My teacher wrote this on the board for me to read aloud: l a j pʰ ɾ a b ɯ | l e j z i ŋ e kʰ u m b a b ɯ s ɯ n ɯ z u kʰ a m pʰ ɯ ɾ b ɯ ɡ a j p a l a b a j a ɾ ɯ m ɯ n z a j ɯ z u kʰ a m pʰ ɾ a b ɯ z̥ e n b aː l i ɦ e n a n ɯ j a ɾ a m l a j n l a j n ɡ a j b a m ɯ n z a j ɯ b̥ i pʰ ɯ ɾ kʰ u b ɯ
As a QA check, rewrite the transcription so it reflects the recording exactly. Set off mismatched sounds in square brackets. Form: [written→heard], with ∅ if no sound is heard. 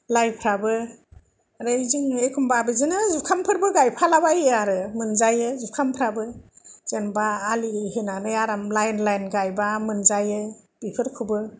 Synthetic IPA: l a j pʰ ɾ a b ɯ | [l→ɾ] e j z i ŋ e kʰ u m b a b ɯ [s→z] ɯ n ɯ z u kʰ a m pʰ ɯ ɾ b ɯ ɡ a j [p→pʰ] a l a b a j a ɾ ɯ m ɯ n z a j ɯ z u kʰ a m pʰ ɾ a b ɯ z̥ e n b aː l i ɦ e n a n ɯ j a ɾ a m l a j n l a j n ɡ a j b a m ɯ n z a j ɯ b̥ i pʰ ɯ ɾ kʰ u b ɯ